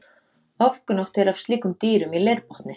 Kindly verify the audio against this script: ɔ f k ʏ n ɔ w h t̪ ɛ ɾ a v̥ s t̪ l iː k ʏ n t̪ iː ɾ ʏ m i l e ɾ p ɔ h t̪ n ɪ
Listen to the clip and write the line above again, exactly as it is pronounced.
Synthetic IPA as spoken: ɔ f k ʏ n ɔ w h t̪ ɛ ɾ a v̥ s t̪ l iː k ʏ m t̪ iː ɾ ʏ m i l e ɾ p ɔ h t̪ n ɪ